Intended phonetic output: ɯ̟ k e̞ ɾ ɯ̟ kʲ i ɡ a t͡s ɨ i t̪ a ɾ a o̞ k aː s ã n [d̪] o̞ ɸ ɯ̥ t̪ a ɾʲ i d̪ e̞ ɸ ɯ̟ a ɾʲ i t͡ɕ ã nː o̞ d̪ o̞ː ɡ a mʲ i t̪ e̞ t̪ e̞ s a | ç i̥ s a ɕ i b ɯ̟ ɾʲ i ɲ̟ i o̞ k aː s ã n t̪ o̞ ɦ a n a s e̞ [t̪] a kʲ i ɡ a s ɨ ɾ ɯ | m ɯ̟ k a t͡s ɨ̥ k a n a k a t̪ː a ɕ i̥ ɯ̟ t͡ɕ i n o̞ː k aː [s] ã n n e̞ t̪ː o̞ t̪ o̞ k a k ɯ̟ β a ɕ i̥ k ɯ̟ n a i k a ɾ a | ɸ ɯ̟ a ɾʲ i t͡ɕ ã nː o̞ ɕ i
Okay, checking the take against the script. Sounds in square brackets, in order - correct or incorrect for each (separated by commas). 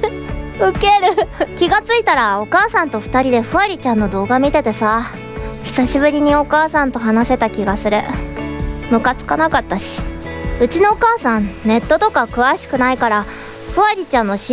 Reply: incorrect, correct, correct